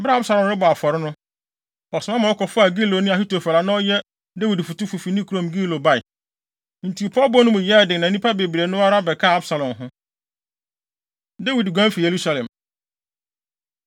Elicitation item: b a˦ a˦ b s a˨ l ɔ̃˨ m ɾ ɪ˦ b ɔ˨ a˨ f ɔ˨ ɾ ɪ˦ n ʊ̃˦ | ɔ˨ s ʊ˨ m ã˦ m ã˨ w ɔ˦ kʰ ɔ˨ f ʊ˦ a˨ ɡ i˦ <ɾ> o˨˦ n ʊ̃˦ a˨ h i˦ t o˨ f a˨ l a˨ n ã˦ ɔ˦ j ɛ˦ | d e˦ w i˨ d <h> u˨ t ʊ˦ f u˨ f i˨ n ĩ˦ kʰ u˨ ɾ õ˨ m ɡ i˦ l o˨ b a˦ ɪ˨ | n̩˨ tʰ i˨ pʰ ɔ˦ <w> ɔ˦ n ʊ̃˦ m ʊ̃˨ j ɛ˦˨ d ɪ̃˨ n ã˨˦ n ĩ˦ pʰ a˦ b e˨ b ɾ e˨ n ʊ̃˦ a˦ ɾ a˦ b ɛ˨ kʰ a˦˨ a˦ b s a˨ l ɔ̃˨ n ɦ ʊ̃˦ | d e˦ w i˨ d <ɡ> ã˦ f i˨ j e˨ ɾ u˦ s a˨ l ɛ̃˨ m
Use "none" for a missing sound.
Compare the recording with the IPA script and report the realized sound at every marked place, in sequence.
l, f, b, ɡ

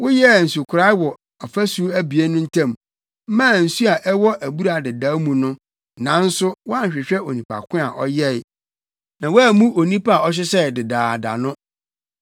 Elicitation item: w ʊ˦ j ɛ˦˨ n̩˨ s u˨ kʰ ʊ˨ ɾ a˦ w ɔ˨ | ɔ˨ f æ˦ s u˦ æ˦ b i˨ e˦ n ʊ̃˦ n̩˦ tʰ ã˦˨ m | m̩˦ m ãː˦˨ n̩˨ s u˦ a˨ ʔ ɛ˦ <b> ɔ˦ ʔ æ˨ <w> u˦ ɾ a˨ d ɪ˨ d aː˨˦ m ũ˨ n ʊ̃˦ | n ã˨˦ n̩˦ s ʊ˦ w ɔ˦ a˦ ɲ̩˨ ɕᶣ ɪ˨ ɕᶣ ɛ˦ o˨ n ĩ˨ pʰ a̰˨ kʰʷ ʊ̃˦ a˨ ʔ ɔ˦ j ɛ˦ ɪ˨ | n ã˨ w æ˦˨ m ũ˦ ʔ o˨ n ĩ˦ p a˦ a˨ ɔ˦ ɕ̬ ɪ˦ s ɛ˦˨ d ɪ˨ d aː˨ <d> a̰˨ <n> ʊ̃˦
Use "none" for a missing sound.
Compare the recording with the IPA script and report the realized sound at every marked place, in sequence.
w, b, d, n

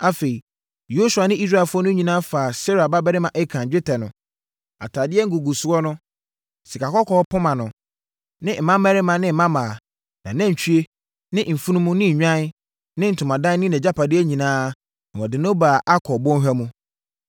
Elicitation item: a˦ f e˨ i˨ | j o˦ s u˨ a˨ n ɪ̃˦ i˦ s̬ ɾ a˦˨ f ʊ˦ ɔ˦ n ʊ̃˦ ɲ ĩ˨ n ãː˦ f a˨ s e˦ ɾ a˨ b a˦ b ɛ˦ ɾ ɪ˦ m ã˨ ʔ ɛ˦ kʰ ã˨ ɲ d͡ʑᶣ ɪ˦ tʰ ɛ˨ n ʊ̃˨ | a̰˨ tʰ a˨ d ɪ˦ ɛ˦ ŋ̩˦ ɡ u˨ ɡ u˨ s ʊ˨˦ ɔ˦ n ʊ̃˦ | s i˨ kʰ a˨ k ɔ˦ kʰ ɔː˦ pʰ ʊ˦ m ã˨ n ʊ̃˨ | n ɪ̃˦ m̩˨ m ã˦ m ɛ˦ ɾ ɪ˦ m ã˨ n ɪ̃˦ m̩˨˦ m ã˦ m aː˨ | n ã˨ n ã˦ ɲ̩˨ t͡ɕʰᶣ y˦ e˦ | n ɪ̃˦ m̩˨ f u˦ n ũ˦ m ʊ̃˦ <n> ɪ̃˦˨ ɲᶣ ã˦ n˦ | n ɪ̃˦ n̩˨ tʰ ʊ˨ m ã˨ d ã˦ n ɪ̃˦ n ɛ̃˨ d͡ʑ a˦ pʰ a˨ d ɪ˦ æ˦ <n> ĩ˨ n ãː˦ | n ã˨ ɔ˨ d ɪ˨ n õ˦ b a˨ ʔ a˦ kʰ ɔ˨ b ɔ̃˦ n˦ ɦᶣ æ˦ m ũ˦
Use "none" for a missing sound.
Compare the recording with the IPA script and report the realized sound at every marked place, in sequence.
n, ɲ

